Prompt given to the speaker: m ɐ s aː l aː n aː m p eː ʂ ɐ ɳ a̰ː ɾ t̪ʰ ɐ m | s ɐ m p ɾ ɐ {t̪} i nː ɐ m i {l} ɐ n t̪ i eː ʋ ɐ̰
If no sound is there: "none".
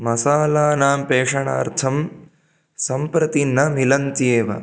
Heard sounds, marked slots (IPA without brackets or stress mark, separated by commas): t̪, l